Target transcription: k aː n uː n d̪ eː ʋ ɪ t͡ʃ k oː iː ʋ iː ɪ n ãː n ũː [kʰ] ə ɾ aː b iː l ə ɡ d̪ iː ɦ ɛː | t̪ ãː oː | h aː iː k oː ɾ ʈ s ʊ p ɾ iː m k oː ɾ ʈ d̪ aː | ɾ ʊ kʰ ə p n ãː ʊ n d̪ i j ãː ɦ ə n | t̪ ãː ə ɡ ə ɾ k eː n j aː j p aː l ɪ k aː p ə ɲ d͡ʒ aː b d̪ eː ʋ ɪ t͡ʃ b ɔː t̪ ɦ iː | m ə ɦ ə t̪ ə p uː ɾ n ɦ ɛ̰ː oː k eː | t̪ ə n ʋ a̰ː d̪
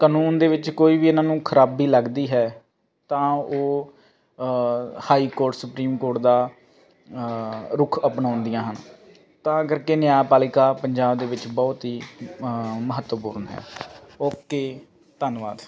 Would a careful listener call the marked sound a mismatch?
no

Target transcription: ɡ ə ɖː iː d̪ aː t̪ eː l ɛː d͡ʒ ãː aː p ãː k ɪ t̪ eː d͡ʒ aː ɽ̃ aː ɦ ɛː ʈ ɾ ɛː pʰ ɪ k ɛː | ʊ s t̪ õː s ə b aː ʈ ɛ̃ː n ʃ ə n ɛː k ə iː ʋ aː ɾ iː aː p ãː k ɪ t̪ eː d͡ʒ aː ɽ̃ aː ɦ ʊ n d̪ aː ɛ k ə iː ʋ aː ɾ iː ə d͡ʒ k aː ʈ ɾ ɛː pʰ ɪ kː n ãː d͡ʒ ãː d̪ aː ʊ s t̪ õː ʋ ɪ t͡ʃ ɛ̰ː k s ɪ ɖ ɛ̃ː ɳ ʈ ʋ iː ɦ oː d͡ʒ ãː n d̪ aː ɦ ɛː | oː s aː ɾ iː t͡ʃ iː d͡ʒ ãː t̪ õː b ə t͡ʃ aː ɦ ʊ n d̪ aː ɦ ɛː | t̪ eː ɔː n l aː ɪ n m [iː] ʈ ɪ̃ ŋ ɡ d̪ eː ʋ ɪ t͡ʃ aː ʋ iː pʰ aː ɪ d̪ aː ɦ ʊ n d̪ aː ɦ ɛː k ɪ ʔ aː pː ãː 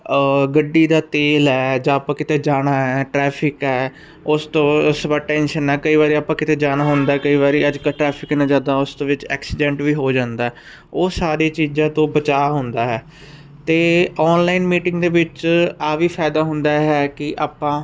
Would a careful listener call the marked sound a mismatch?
no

